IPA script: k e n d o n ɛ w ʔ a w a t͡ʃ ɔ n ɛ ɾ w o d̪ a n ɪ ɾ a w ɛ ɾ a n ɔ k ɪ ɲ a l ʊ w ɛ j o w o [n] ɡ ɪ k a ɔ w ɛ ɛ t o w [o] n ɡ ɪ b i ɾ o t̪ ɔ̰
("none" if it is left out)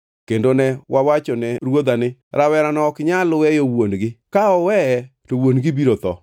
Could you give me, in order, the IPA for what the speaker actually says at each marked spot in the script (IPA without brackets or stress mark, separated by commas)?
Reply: n, o